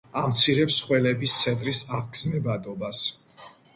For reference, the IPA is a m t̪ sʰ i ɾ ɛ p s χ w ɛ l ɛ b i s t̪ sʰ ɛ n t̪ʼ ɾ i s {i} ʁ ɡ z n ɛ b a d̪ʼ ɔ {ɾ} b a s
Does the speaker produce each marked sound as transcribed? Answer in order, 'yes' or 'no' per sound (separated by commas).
no, no